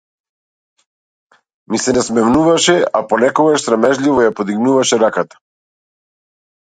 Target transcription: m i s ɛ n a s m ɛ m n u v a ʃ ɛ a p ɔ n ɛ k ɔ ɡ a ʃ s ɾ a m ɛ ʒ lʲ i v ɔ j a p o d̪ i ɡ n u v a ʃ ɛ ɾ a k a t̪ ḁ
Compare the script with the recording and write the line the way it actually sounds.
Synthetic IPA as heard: m i s ɛ n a s m ɛ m n u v a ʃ ɛ a p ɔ n ɛ k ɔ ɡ a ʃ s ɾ a m ɛ ʒ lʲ i v ɔ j a p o d̪ i ɡ n u v a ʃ ɛ ɾ a k a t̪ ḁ